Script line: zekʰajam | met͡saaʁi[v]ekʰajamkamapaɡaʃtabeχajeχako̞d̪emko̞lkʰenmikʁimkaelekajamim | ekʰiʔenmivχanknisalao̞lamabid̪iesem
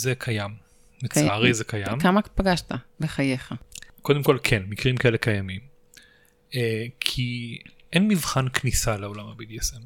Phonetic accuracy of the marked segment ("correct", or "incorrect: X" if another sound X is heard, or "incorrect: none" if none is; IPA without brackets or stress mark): incorrect: z